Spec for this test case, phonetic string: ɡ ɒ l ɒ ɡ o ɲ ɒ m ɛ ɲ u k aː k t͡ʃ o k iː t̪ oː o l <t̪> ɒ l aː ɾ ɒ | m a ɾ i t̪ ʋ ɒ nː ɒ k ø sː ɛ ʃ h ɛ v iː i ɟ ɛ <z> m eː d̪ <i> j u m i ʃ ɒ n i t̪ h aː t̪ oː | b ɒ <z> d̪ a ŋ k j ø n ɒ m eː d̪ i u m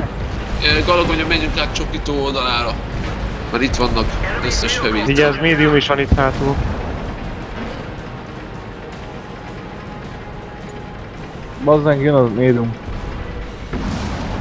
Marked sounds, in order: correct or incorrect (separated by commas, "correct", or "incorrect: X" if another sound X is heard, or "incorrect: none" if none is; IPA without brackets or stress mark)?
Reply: incorrect: d̪, correct, correct, correct